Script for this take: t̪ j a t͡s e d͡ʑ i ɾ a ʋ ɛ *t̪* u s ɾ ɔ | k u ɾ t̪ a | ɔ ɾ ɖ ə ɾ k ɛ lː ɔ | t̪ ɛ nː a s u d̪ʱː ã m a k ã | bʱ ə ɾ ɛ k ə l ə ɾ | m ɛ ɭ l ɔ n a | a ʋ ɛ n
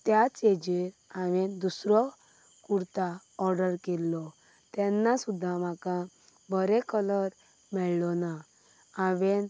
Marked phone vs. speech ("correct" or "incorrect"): incorrect